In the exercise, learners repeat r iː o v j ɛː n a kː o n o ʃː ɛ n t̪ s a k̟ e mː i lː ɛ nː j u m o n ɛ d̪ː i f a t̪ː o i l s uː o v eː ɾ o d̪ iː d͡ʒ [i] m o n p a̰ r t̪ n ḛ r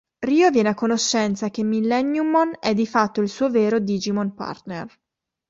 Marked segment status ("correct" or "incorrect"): correct